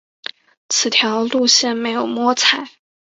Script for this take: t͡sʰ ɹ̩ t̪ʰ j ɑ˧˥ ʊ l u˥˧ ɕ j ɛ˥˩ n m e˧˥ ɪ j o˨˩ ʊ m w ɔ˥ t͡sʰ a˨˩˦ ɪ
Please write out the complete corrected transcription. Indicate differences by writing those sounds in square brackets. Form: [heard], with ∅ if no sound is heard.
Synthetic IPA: t͡sʰ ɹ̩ t̪ʰ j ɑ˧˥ ʊ l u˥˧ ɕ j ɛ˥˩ n m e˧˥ ɪ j o˨˩ ʊ m w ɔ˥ t͡sʰ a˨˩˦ ɪ